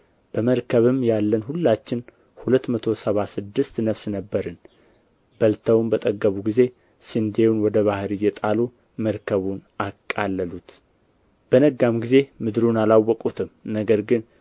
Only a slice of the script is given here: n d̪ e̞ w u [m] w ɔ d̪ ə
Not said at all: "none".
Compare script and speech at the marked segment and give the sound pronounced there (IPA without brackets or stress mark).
n